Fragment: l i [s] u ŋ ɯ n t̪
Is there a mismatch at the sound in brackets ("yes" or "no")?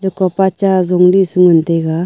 no